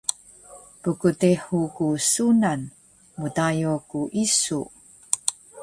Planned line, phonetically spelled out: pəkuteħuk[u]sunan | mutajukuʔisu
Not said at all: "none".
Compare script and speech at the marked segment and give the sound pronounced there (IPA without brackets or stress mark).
u